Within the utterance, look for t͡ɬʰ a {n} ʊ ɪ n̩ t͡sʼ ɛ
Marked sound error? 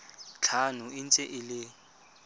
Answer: no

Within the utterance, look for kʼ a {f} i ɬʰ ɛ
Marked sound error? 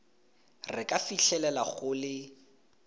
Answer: no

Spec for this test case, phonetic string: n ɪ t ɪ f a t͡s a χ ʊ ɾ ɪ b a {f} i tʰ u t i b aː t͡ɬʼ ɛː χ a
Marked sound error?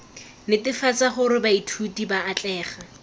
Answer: yes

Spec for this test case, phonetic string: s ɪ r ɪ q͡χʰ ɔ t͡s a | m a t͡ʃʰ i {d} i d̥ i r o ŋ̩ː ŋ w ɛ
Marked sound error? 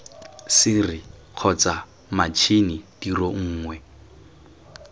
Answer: yes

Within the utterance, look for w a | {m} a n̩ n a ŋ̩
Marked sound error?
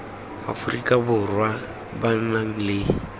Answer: yes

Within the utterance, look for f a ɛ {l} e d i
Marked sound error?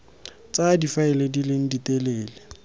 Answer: no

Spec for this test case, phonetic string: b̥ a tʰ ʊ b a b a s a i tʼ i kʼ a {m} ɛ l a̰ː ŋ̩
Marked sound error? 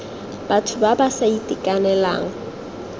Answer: yes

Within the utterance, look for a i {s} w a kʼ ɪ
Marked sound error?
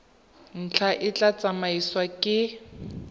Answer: no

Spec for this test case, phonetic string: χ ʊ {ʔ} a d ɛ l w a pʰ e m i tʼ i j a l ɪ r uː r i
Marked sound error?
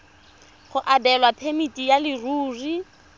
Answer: no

